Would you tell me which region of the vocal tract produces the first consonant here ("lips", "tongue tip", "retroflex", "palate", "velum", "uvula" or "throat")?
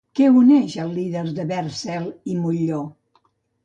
velum